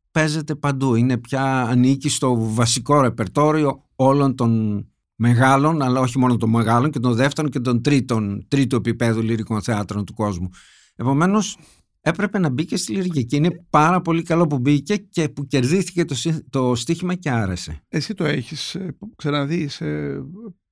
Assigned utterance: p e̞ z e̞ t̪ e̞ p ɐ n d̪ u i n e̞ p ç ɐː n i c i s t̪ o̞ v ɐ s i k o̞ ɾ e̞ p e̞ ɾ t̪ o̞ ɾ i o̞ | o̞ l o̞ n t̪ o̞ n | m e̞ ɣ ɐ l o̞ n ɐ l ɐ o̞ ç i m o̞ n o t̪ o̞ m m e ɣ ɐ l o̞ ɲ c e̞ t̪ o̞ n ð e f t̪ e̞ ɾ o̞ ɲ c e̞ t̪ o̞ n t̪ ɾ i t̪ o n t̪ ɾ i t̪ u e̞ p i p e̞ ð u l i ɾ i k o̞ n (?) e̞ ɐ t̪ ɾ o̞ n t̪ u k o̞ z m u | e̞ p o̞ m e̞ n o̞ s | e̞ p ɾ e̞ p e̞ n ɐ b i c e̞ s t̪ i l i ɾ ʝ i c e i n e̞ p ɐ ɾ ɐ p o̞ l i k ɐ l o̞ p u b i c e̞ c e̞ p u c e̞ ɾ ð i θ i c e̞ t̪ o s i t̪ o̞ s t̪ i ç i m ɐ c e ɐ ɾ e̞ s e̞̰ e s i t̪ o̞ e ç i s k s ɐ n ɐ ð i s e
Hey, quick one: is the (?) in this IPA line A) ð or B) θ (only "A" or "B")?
B